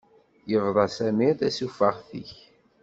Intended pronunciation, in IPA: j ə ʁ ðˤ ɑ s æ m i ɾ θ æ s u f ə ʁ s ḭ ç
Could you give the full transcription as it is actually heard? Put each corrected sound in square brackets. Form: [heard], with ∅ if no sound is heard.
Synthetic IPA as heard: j ə [v] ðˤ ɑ s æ m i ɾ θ æ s u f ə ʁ [θ] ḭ ç